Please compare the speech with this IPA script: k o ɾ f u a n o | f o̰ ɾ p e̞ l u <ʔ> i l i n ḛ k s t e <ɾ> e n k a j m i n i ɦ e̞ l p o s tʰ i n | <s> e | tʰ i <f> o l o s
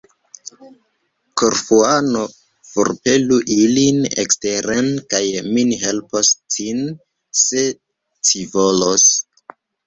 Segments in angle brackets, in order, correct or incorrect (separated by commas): correct, correct, correct, incorrect